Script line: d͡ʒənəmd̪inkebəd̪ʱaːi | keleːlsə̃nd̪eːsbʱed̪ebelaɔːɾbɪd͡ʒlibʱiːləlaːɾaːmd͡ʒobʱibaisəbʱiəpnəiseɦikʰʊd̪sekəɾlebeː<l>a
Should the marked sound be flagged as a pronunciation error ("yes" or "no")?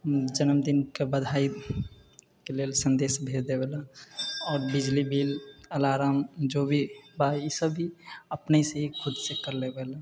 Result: no